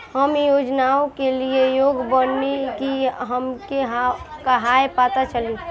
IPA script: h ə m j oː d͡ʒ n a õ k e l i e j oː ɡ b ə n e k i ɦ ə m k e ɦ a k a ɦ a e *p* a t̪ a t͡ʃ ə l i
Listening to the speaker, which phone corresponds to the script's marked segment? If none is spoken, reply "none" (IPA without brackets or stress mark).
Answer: p